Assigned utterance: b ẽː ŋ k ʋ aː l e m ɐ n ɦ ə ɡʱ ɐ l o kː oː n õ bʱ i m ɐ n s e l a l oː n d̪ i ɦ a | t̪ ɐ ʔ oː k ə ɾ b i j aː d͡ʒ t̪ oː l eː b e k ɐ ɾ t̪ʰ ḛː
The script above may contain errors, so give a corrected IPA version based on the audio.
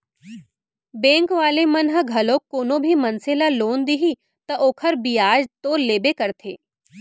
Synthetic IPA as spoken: b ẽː ŋ k ʋ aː l e m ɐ n ɦ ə ɡʱ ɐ l o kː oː n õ bʱ i m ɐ n s e l a l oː n d̪ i ɦ i | t̪ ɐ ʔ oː kʰ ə ɾ b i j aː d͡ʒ t̪ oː l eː b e k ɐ ɾ t̪ʰ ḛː